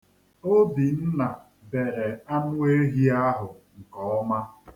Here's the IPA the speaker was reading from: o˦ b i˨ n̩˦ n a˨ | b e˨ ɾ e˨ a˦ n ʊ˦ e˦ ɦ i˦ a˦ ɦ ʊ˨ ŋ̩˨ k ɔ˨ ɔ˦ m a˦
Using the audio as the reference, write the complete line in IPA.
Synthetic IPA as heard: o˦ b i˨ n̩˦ n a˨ | b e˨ ɾ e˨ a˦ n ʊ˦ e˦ ɦ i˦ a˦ ɦ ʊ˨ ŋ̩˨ k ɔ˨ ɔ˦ m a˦